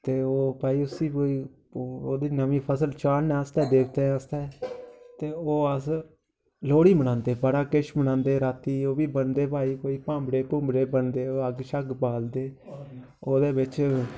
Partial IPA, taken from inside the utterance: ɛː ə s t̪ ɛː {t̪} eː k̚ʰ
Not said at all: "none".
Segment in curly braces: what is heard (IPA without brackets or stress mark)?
d̪